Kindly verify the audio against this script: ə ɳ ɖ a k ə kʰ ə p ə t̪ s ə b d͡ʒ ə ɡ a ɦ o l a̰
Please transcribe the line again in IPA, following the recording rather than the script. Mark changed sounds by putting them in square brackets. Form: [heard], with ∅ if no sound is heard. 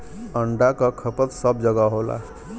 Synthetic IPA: ə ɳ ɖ a k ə kʰ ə p ə t̪ s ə b d͡ʒ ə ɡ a ɦ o l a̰